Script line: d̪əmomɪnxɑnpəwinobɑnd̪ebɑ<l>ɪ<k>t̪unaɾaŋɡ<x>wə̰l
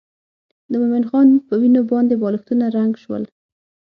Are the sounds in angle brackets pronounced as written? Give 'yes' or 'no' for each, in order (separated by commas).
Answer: yes, no, no